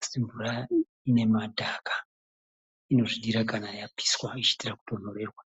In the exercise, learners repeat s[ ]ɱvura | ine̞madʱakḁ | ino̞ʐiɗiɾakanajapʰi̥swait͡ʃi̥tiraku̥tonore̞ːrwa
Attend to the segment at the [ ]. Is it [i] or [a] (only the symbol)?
i